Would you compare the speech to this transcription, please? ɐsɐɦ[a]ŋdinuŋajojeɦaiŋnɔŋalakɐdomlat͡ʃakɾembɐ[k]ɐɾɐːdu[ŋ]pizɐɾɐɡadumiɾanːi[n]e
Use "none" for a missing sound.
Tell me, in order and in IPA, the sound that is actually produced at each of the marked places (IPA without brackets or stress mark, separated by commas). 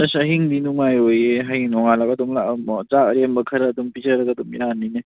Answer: i, kʰ, m, n